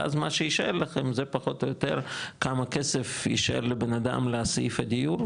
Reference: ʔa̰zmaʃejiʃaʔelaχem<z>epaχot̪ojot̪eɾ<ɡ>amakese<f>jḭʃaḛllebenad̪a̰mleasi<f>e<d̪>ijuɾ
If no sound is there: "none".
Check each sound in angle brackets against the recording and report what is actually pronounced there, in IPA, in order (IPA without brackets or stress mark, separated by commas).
z, k, f, f, d̪